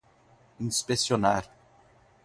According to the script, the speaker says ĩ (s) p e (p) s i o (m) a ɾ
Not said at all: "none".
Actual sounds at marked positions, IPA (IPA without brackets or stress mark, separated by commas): s, none, n